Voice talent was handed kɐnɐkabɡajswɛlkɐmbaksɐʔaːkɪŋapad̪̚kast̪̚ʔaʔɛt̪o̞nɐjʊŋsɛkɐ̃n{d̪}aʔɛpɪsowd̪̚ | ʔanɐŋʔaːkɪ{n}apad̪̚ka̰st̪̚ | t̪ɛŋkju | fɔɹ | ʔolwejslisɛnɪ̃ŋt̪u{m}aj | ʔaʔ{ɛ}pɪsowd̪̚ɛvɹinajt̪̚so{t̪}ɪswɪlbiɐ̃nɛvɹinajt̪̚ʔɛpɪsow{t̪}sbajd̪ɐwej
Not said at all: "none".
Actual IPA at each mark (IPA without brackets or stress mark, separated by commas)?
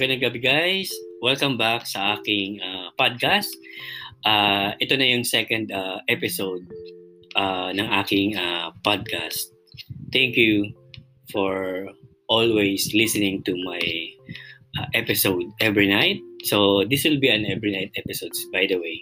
d̪, ŋ, m, ɛ, d̪, d̪